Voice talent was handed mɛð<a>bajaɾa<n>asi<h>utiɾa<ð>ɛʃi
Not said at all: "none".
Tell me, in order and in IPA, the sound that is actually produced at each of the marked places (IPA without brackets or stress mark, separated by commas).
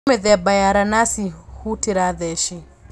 ɛ, n, h, ð